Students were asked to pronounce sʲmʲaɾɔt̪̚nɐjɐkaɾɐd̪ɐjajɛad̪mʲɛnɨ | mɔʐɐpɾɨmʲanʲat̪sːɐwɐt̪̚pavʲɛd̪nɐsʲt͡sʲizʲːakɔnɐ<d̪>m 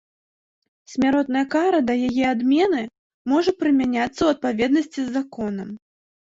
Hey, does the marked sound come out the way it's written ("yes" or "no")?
no